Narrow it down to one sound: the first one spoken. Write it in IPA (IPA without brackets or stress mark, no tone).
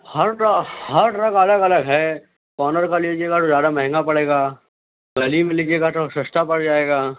h